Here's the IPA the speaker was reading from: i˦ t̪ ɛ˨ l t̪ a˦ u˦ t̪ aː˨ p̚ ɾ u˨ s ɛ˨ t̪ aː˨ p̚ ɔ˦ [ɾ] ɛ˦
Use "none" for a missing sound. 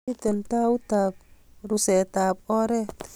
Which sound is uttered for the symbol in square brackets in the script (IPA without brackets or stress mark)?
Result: ɾ